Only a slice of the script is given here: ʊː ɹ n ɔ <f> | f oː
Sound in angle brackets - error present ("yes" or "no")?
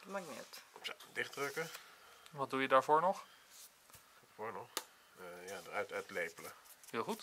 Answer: yes